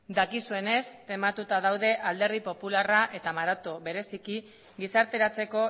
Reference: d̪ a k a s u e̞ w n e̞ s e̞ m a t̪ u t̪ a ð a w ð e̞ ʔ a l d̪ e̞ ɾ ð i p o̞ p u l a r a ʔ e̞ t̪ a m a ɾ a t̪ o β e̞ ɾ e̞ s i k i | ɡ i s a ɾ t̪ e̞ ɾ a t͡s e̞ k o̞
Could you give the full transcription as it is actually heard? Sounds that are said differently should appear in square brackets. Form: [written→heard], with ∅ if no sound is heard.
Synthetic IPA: d̪ a k [a→i] s u e̞ [w→∅] n e̞ s e̞ m a t̪ u t̪ a ð a w ð e̞ ʔ a l d̪ e̞ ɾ ð i p o̞ p u l a r a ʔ e̞ t̪ a m a ɾ a t̪ o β e̞ ɾ e̞ s i k i | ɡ i s a ɾ t̪ e̞ ɾ a t͡s e̞ k o̞